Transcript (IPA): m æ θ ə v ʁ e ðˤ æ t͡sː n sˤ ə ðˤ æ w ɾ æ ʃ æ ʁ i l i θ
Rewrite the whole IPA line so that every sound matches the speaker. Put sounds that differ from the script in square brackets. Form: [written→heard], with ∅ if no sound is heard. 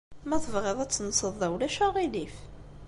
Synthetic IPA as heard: m æ θ ə v ʁ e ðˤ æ t͡sː n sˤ ə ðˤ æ w [ɾ→l] æ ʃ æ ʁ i l i [θ→f]